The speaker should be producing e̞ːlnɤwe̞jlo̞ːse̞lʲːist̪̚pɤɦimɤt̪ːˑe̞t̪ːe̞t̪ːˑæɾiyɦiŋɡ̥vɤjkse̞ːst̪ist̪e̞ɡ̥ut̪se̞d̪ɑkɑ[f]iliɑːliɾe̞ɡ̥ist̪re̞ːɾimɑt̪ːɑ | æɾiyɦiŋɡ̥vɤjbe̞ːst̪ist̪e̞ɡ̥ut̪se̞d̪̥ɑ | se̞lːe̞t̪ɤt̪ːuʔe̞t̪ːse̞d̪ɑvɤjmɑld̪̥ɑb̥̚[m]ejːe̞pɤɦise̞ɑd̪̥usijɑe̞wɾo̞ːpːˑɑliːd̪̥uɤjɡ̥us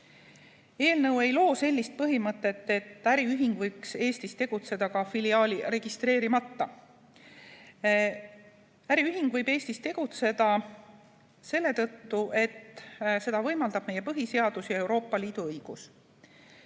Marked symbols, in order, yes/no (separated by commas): yes, yes